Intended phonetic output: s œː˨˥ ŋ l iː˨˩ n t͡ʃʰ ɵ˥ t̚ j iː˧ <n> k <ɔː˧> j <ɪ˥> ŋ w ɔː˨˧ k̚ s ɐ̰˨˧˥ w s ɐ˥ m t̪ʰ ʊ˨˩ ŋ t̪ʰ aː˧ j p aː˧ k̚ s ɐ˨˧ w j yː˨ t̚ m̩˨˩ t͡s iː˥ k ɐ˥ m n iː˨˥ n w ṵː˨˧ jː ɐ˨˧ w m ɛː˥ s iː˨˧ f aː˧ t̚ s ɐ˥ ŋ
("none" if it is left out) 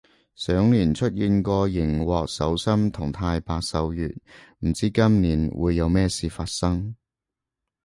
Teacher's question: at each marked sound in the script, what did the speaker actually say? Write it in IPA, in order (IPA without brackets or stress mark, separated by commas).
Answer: n, ɔː˧, ɪ˨˩